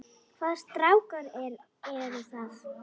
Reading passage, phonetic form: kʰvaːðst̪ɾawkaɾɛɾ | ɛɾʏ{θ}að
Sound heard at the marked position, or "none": θ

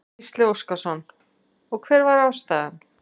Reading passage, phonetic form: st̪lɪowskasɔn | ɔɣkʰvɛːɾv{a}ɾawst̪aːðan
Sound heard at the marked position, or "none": a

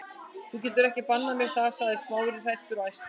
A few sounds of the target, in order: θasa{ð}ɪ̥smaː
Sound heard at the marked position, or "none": ð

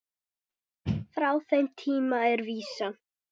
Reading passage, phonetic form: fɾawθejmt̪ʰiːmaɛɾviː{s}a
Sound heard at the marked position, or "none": s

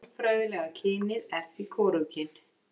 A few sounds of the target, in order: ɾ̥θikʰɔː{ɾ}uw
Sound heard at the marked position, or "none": ɾ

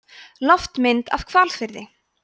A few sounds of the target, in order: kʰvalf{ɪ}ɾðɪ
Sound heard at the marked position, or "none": ɪ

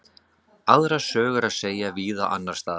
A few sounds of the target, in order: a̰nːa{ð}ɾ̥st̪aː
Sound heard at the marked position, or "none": none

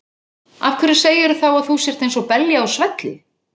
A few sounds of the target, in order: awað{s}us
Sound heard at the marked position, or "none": θ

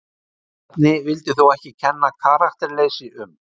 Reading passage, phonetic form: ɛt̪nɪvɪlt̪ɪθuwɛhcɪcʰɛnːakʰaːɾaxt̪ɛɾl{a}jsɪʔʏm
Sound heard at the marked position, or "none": e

